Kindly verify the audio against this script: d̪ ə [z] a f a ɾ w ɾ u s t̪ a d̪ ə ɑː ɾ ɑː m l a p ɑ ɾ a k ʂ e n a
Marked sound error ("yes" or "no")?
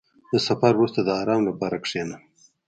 yes